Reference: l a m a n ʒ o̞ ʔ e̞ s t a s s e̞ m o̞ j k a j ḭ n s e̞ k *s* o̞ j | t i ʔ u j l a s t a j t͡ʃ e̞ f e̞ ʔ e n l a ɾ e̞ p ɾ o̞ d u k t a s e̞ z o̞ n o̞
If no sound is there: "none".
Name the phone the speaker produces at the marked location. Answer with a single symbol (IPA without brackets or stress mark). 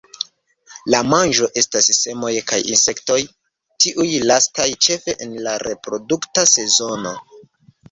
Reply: t